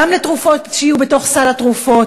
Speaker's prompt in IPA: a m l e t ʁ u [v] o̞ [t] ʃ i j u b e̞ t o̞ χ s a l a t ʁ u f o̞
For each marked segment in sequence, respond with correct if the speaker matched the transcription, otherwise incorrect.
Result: incorrect: f, correct

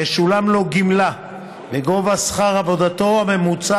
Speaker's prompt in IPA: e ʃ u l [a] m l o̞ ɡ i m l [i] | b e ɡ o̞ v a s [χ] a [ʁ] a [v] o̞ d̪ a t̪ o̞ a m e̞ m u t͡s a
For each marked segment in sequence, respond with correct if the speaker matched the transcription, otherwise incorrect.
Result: correct, incorrect: a, correct, correct, correct

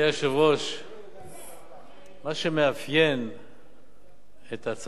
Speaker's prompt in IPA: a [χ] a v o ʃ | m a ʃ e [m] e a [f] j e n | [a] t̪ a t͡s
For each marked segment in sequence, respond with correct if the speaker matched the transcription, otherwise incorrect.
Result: incorrect: ʃ, correct, correct, incorrect: e

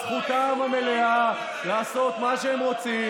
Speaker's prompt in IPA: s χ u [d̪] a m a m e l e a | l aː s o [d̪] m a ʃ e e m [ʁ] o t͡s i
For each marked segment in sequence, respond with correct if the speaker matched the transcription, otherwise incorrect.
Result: incorrect: t̪, incorrect: t̪, correct

